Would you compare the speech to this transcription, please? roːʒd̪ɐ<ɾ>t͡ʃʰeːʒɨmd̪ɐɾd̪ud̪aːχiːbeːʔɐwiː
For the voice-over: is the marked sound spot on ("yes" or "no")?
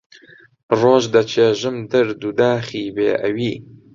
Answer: no